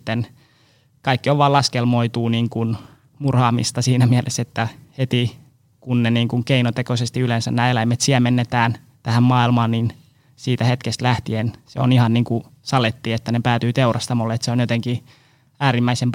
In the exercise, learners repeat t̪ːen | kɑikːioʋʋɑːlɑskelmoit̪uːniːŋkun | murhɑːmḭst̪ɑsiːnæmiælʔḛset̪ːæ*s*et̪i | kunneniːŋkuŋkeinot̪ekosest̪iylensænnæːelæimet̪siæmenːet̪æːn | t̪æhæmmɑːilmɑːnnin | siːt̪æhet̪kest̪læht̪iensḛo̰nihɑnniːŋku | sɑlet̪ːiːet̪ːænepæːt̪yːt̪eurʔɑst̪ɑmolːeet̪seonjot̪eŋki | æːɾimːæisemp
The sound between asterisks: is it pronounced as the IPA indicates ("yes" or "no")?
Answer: no